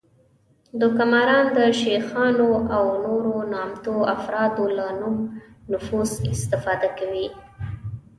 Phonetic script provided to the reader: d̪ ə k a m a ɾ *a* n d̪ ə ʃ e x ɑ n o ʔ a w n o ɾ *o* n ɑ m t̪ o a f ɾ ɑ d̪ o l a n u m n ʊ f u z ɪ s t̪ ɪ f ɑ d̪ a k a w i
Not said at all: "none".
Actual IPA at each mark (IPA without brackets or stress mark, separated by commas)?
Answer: ɑ, o